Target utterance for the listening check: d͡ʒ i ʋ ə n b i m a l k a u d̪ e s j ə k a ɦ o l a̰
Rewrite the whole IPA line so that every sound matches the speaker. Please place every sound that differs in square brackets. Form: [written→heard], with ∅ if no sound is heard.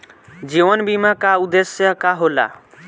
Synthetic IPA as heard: d͡ʒ i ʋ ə n b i m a [l→∅] k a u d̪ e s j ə k a ɦ o l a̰